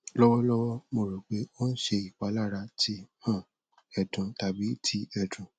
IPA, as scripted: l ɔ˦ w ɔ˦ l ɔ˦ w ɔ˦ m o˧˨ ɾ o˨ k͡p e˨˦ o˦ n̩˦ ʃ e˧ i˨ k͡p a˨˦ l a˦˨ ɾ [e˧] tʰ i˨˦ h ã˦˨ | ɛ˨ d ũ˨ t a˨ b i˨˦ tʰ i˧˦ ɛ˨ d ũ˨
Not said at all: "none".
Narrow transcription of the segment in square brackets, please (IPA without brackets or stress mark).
a˧